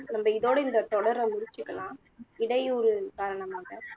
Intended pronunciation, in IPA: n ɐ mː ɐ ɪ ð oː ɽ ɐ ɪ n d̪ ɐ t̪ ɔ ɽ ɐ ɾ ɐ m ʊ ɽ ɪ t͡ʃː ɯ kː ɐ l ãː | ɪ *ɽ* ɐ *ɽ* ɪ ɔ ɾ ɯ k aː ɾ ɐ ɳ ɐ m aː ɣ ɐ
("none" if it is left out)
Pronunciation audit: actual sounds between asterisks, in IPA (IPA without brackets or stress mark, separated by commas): ɽ, none